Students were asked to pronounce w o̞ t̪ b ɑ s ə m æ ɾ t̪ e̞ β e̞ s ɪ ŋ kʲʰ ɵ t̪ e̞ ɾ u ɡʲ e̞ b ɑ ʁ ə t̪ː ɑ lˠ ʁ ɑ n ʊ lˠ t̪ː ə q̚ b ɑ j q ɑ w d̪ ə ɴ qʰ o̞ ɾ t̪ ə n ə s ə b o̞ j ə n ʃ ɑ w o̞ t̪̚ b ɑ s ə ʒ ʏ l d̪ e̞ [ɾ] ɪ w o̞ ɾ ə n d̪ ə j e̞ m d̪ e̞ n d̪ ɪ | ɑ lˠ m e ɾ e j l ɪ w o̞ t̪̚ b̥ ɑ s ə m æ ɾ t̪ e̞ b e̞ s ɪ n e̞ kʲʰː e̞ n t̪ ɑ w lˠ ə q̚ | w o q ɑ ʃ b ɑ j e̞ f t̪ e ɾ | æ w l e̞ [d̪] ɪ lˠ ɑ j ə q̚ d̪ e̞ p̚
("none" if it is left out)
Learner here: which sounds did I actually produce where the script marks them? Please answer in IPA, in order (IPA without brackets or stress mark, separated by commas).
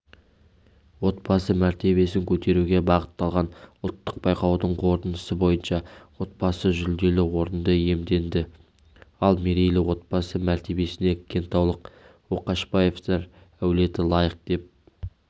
l, t̪